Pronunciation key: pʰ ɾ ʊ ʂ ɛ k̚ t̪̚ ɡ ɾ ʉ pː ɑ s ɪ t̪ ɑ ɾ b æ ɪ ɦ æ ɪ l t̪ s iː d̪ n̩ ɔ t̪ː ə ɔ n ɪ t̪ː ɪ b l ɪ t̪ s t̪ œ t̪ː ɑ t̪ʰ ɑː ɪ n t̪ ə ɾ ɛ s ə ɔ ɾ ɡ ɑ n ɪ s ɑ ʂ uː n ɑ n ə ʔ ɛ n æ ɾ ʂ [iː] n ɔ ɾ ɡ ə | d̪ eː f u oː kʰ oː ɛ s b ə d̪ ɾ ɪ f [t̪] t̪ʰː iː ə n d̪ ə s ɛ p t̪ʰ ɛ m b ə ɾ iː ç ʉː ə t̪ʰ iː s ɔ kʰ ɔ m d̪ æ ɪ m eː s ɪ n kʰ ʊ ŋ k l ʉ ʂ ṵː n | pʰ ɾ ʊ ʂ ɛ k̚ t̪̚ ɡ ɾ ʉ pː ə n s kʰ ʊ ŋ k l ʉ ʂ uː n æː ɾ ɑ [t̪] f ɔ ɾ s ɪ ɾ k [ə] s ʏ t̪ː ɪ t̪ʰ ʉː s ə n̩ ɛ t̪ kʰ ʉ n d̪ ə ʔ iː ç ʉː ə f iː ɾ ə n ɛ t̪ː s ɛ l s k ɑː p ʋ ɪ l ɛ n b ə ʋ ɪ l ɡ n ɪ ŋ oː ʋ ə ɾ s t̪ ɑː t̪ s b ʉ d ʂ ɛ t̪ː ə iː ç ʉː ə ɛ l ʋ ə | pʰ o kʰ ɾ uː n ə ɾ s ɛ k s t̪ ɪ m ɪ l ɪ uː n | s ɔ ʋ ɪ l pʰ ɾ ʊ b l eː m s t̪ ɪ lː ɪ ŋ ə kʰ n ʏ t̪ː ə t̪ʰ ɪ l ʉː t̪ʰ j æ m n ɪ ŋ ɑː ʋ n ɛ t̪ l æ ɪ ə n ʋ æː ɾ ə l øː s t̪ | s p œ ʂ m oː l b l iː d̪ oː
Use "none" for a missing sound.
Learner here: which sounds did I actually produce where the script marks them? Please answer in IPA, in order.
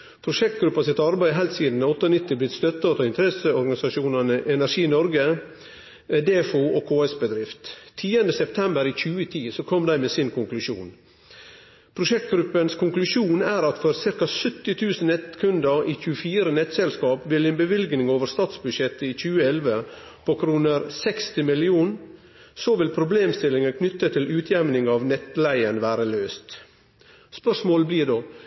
iː, t̪, t̪, ɑ

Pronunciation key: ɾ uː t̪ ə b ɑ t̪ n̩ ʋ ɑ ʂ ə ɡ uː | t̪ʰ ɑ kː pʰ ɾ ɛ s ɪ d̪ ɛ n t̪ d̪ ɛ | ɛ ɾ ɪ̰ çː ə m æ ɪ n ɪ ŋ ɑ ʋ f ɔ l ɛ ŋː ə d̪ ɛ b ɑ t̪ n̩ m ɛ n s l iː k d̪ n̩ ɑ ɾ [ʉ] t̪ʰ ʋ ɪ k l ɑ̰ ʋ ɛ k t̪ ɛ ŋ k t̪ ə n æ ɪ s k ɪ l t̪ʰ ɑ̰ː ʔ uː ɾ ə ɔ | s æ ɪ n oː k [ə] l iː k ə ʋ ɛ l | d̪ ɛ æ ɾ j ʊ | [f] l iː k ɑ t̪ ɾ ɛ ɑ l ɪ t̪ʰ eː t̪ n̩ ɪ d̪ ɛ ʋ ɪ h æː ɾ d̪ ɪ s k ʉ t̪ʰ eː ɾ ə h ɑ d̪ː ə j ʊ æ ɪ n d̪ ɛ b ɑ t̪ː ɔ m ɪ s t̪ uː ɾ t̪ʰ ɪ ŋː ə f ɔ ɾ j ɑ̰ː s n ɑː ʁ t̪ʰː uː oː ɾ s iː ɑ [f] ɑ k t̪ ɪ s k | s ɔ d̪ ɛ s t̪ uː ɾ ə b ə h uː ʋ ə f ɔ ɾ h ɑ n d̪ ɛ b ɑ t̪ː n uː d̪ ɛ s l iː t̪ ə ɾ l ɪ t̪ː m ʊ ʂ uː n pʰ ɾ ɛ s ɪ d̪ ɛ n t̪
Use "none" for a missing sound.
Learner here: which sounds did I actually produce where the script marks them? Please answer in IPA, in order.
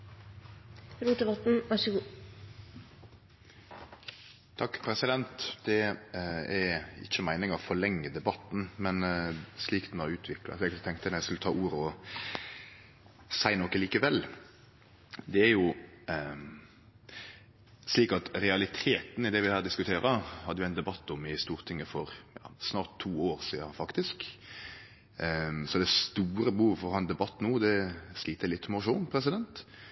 ʉː, ə, s, f

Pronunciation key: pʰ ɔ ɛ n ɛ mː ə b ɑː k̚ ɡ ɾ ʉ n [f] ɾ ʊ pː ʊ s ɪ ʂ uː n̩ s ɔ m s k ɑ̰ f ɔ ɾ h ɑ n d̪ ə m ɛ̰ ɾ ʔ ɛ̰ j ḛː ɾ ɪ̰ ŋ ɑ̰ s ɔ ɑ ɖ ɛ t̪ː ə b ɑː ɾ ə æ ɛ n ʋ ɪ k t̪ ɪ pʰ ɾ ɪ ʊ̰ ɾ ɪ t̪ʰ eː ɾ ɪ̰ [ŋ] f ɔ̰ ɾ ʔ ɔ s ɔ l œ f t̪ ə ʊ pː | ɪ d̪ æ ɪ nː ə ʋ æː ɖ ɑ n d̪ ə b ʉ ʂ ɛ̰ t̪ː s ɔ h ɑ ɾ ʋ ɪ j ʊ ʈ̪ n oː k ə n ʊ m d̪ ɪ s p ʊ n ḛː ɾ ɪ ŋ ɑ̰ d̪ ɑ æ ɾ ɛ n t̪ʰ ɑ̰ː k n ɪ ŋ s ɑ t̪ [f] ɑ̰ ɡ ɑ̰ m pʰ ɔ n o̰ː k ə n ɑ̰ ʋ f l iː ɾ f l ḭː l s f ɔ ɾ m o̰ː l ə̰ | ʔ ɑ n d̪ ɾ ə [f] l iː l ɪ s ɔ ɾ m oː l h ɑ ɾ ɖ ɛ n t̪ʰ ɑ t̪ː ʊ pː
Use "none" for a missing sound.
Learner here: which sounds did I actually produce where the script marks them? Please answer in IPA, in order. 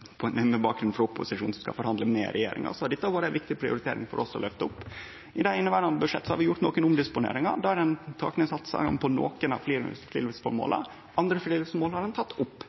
f, ŋ, s, f

